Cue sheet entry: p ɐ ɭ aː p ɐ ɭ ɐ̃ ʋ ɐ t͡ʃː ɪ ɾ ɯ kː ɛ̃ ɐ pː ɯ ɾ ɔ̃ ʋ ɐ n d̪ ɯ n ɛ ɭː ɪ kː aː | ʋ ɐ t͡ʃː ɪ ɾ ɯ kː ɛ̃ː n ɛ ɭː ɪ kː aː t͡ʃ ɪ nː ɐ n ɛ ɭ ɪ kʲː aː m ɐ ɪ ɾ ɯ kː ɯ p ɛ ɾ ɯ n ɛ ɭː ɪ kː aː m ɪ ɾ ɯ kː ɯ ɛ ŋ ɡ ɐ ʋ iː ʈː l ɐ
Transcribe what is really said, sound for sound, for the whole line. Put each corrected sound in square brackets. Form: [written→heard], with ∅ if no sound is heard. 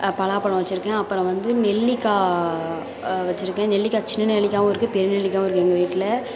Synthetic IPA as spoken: p ɐ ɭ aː p ɐ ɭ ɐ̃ ʋ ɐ t͡ʃː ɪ ɾ ɯ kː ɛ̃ ɐ pː ɯ ɾ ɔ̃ ʋ ɐ n d̪ ɯ n ɛ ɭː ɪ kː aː | ʋ ɐ t͡ʃː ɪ ɾ ɯ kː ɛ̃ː n ɛ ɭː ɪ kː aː t͡ʃ ɪ nː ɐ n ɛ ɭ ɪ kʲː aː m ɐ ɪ ɾ ɯ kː ɯ p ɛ ɾ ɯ n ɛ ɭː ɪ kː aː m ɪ ɾ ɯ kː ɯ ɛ ŋ ɡ ɐ ʋ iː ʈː l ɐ